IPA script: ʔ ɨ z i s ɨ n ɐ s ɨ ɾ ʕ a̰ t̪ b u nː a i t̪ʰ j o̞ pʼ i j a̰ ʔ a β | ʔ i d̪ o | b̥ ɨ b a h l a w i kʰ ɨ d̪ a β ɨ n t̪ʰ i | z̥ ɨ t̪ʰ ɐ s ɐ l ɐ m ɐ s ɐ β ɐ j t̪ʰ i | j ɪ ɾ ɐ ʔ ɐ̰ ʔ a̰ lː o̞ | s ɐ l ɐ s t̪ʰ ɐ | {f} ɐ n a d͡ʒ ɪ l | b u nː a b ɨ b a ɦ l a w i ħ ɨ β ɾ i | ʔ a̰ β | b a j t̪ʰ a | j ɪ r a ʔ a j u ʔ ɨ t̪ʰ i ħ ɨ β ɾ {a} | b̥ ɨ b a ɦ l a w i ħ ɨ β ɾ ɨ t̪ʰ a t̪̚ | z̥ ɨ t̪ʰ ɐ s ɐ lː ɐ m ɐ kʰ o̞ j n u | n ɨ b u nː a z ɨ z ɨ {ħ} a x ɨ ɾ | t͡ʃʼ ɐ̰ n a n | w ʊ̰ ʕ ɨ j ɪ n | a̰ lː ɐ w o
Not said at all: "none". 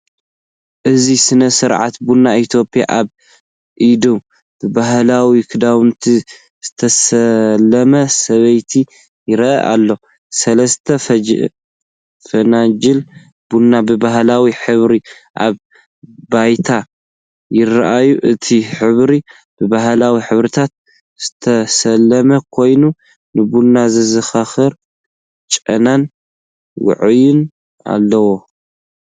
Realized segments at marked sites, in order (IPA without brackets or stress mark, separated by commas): f, i, x